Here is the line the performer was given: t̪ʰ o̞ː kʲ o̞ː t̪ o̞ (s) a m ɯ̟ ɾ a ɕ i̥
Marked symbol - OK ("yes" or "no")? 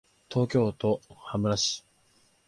no